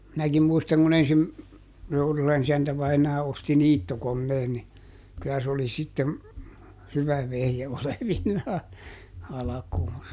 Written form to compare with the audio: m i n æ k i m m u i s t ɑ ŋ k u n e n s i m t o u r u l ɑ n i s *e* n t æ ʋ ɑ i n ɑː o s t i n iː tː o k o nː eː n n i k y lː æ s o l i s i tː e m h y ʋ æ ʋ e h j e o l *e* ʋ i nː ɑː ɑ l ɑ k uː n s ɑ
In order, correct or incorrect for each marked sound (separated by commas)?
incorrect, correct